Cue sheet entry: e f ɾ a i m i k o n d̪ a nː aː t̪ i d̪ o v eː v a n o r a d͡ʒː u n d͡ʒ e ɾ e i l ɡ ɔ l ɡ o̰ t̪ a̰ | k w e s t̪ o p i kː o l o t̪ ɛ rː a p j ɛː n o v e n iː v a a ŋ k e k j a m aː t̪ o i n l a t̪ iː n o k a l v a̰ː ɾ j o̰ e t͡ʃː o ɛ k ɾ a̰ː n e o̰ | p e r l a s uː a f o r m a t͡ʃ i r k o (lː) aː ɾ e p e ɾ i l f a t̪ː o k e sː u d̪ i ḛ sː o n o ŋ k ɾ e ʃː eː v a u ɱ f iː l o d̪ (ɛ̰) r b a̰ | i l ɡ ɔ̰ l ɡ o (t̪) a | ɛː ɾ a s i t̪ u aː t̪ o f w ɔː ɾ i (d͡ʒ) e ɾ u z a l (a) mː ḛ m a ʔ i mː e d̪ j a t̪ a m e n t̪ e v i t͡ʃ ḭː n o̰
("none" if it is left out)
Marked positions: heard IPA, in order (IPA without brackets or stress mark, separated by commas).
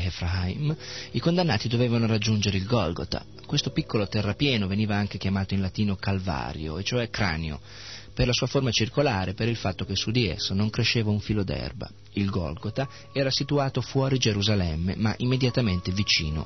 l, ɛ̰, t̪, d͡ʒ, ɛ